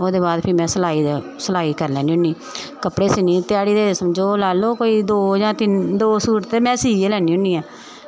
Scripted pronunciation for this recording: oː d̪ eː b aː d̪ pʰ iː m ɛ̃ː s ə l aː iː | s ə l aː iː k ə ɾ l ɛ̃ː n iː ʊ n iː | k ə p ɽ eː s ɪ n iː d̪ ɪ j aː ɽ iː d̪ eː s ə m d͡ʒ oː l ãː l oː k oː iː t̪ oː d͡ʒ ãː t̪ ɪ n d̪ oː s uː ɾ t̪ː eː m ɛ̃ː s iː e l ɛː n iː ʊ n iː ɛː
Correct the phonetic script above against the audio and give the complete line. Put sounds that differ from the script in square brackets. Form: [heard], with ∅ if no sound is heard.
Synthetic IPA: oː d̪ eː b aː d̪ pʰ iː m ɛ̃ː s ə l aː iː | s ə l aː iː k ə ɾ l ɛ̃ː n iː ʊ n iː | k ə p ɽ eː s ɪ n iː [t̪] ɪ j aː ɽ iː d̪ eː s ə m d͡ʒ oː l [aː] l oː k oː iː [d̪] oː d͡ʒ ãː t̪ ɪ n d̪ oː s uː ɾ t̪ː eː m ɛ̃ː s iː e l ɛː n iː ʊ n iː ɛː